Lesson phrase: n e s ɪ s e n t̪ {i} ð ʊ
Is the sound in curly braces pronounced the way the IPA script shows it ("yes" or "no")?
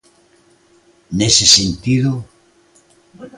yes